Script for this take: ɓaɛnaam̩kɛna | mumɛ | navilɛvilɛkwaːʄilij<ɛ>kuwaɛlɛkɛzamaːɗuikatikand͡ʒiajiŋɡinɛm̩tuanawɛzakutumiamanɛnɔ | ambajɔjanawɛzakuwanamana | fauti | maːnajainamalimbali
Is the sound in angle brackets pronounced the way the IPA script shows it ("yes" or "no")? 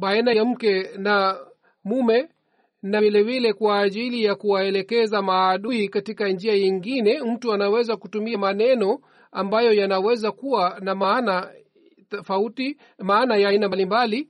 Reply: no